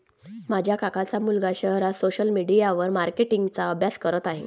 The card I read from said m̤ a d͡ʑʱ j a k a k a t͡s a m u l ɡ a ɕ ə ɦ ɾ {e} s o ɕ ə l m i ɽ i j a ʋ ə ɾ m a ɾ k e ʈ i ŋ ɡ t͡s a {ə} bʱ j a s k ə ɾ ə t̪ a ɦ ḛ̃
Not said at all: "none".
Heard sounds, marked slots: a, ə

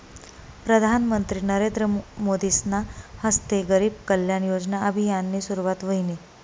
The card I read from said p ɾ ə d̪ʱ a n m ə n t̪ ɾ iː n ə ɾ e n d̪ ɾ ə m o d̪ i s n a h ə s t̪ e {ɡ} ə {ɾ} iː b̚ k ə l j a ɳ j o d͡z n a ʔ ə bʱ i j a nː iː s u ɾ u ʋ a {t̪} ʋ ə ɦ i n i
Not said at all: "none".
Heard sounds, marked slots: ɡ, ɾ, t̪

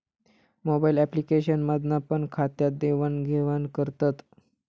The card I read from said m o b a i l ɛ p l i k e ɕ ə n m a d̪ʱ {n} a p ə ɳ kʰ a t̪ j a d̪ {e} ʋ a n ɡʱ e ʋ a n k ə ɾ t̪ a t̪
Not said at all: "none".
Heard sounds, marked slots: n, e

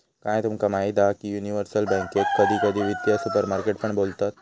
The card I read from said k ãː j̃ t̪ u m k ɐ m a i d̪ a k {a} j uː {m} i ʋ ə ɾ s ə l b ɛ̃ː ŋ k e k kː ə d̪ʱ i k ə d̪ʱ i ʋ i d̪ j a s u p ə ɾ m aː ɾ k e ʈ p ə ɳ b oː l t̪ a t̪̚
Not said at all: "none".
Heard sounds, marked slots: i, n

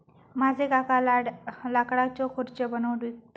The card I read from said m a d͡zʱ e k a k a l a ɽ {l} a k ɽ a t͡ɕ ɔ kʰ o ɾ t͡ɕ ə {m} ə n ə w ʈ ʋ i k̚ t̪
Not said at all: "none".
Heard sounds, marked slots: l, b

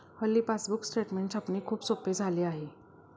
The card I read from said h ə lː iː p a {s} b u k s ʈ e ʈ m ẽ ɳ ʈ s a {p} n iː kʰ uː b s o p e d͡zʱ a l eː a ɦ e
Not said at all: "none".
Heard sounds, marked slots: s, p

